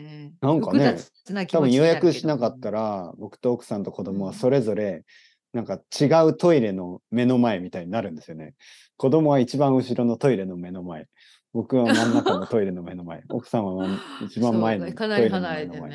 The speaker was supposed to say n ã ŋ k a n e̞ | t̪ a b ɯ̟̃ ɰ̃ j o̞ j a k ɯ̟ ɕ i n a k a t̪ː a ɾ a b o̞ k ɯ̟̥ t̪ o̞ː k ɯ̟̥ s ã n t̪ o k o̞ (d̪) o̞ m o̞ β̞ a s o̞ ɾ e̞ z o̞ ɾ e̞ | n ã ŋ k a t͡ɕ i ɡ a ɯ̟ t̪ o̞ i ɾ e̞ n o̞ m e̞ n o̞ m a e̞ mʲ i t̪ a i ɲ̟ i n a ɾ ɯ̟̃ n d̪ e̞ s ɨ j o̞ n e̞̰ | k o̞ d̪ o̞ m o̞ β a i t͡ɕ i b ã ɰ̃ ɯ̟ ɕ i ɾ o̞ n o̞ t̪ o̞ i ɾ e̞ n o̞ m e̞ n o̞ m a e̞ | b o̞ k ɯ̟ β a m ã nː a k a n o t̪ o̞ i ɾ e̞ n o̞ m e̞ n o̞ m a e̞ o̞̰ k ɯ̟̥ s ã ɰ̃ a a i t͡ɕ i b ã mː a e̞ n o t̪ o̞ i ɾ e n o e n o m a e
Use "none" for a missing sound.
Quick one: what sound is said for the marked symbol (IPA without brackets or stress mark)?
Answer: d̪